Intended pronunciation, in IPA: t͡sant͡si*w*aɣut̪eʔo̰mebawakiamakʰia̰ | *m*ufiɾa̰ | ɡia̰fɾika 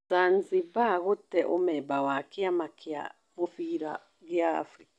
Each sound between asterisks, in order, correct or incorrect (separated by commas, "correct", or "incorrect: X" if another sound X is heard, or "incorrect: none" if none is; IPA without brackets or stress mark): incorrect: b, correct